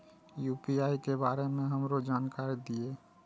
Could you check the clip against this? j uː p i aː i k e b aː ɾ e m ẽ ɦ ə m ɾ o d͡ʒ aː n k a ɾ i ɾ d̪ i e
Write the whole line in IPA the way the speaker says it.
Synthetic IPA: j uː p i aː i k e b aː ɾ e m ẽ ɦ ə m ɾ o d͡ʒ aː n k a ɾ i d̪ i e

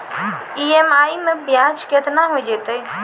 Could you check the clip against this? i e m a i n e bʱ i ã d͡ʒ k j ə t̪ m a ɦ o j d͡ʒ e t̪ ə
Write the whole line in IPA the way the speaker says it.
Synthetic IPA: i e m a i m e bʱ j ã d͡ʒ k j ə t̪ n a ɦ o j d͡ʒ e t̪ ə

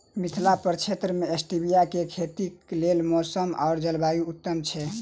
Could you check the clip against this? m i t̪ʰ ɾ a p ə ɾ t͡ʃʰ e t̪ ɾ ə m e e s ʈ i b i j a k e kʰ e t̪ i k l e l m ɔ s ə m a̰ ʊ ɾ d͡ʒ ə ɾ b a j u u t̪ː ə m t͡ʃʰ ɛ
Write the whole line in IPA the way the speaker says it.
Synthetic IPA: m i t̪ʰ l a p ə ɾ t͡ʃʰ e t̪ ɾ ə m e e s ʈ i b i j a k e kʰ e t̪ i k l e l m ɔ s ə m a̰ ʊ ɾ d͡ʒ ə l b a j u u t̪ː ə m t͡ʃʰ ɛ

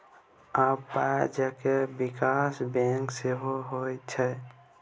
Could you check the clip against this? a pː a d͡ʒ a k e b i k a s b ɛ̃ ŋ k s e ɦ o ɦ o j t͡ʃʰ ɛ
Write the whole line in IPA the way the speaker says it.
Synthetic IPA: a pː a d͡ʒ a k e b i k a s b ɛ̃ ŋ k s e ɦ o ɦ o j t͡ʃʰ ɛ

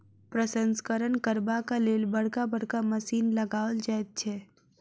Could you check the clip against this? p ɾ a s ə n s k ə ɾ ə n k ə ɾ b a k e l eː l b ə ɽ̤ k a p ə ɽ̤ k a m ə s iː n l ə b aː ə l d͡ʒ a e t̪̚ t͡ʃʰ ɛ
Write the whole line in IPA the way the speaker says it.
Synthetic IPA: p ɾ ə s ə n s k ə ɾ ə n k ə ɾ b a k a l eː l b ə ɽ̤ k a b ə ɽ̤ k a m ə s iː n l ə ɡ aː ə l d͡ʒ a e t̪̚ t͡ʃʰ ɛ

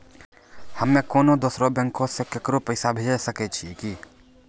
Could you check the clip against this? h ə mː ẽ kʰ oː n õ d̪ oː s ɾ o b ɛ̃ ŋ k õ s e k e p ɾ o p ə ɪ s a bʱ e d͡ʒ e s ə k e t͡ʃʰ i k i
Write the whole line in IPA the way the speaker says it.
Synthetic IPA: h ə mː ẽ k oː n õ d̪ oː s ɾ o b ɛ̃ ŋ k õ s e k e k ɾ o p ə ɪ s a bʱ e d͡ʒ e s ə k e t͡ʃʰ i k i

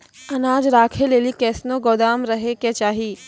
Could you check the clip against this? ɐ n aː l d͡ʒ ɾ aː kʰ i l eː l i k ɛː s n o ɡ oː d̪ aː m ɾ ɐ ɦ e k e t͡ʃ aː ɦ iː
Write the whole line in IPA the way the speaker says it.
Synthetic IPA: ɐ n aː d͡ʒ ɾ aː kʰ e l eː l i k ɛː s n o ɡ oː d̪ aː m ɾ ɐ ɦ e k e t͡ʃ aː ɦ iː

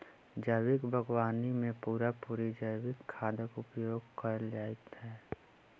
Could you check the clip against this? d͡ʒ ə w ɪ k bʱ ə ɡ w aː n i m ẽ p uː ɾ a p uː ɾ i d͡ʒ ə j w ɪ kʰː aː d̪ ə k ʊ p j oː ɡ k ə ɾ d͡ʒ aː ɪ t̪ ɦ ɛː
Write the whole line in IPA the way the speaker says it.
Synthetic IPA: d͡ʒ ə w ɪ k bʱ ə ɡ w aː n i m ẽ p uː ɾ a p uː ɾ i d͡ʒ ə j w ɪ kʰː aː d̪ ə k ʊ p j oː ɡ k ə ɾ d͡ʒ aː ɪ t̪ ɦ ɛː

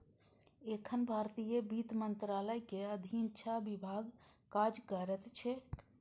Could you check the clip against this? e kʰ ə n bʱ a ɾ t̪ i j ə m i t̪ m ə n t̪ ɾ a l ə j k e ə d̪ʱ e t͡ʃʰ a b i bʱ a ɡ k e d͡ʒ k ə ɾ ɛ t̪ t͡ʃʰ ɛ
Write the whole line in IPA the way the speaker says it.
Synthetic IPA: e kʰ ə n bʱ a ɾ t̪ i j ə b i t̪ m ə n t̪ ɾ a l ə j k e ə d̪ʱ i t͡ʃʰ a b i bʱ a ɡ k a d͡ʒ k ə ɾ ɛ t̪ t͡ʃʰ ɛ

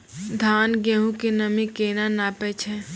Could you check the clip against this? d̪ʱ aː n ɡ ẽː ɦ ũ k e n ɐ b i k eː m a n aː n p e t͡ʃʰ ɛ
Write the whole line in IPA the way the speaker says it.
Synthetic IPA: d̪ʱ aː n ɡ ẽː ɦ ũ k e n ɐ m i k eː n a n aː p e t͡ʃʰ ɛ

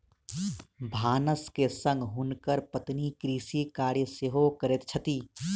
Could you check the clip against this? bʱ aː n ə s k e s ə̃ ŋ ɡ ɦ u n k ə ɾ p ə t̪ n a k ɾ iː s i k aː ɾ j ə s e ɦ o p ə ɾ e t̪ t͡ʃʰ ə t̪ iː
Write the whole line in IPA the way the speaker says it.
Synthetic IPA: bʱ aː n ə s k e s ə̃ ŋ ɡ ɦ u n k ə ɾ p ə t̪ n i k ɾ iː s i k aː ɾ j ə s e ɦ o k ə ɾ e t̪ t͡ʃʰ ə t̪ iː

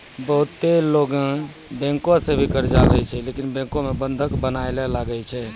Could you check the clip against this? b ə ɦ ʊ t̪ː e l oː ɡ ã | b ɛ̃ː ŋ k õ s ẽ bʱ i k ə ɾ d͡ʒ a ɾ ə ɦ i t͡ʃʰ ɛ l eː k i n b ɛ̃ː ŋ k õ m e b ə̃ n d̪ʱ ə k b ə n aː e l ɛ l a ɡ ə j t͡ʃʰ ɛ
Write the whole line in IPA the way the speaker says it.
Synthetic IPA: b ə ɦ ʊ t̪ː e l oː ɡ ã | b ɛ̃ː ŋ k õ s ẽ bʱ i k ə ɾ d͡ʒ a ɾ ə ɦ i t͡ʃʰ ɛ l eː k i n b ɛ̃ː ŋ k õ m e b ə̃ n d̪ʱ ə k b ə n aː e l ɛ l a ɡ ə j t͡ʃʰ ɛ

